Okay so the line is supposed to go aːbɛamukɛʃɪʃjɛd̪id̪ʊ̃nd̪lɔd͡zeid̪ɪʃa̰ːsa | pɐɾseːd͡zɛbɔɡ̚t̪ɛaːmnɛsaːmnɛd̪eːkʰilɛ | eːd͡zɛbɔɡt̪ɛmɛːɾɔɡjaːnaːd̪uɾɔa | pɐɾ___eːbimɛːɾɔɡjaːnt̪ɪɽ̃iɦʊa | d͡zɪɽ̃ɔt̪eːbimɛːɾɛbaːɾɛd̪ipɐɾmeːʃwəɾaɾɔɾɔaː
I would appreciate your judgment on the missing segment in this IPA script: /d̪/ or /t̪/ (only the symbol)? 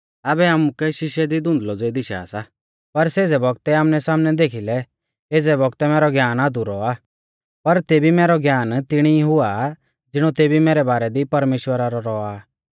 t̪